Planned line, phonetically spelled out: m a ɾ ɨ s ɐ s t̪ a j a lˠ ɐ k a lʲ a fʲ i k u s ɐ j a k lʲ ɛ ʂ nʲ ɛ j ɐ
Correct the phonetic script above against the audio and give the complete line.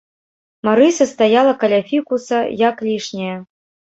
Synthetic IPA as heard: m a ɾ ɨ s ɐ s t̪ a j a lˠ ɐ k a lʲ a fʲ i k u s ɐ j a k lʲ i ʂ nʲ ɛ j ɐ